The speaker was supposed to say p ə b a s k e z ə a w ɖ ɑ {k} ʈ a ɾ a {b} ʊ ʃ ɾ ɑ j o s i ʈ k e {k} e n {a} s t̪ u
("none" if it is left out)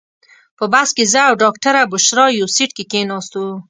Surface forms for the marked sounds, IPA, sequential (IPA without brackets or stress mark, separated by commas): k, b, k, ɑ